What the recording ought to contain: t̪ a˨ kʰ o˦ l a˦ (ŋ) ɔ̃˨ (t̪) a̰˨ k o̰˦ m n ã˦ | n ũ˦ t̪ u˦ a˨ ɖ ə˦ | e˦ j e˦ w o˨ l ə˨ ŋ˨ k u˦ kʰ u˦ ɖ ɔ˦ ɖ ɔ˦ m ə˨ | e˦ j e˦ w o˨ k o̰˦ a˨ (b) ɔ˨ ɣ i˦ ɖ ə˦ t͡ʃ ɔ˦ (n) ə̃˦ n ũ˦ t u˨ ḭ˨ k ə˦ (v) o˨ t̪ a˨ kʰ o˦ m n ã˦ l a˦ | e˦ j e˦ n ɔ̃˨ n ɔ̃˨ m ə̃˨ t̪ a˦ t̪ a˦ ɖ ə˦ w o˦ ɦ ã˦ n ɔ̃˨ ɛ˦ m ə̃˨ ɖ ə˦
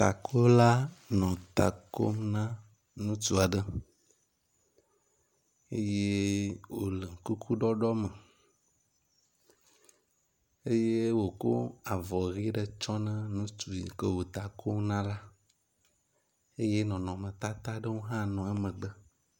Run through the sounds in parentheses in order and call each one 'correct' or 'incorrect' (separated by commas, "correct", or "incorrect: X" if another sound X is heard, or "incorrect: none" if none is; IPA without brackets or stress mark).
incorrect: n, correct, incorrect: v, correct, incorrect: w